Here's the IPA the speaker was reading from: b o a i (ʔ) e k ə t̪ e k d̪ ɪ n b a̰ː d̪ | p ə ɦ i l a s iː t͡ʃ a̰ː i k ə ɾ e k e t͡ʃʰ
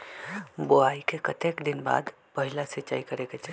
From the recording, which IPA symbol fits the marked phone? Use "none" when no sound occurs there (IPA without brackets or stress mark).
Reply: k